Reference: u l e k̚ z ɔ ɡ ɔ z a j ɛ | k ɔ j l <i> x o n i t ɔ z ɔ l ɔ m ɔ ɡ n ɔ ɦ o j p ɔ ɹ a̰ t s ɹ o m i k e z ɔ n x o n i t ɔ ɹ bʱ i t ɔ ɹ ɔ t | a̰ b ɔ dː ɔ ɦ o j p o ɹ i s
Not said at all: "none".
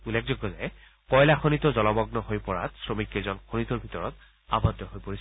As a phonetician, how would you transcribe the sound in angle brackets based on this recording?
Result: a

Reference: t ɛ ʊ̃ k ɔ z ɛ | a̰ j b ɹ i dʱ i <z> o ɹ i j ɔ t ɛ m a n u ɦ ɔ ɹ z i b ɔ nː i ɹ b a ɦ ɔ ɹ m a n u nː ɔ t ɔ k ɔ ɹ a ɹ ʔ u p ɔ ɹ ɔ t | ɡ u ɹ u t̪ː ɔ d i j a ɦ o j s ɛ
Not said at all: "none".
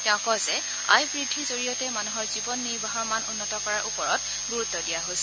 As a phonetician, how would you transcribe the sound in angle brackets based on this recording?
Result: z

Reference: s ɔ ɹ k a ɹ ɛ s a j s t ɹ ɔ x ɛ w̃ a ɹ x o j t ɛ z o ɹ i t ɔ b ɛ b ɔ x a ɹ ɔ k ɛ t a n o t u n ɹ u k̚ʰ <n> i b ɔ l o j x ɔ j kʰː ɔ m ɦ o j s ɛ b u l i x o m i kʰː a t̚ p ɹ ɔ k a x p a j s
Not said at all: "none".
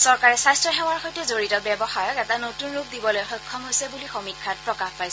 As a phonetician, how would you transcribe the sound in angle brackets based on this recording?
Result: d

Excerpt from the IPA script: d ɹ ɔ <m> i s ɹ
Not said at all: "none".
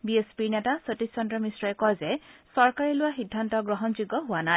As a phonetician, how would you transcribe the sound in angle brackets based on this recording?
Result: m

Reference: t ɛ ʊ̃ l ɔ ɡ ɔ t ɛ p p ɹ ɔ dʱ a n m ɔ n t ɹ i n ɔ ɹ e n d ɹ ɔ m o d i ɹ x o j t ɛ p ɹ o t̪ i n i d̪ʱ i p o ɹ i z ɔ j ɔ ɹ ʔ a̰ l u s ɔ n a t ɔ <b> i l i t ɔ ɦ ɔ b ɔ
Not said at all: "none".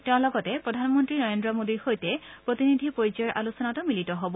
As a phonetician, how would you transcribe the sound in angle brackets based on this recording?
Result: m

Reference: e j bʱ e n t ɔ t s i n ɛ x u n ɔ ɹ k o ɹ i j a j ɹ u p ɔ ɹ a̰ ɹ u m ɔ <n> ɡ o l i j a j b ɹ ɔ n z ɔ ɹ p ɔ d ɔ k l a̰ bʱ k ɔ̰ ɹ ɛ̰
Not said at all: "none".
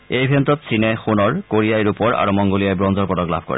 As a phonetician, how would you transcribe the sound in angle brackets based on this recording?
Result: ŋ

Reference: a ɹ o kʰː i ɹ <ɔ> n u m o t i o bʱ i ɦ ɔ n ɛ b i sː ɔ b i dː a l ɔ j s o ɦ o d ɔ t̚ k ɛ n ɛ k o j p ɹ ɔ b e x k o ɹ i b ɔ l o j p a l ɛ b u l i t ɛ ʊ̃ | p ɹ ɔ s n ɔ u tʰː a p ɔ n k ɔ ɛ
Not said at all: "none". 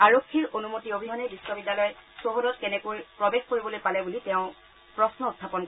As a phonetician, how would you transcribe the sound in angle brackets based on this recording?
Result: o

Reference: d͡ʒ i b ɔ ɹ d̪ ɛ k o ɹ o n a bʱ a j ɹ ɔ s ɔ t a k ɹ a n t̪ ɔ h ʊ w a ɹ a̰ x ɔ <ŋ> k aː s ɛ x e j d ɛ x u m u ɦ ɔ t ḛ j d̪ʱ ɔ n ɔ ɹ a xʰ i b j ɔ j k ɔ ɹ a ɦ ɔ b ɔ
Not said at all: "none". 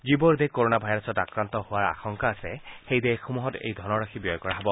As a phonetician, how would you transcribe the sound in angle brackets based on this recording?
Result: ŋ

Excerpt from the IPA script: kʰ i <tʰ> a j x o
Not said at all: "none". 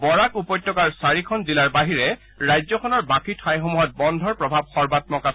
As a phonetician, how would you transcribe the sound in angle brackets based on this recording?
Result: tʰ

